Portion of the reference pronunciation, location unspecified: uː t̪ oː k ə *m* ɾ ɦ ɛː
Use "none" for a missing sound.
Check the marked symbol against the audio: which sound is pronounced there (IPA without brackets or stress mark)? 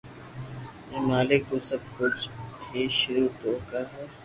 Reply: none